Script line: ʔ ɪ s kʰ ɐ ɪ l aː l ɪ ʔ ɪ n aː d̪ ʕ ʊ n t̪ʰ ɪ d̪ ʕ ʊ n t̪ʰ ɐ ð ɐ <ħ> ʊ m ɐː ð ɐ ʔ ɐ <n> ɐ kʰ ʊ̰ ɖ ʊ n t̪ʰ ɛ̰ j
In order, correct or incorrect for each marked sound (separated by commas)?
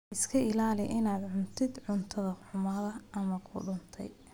correct, incorrect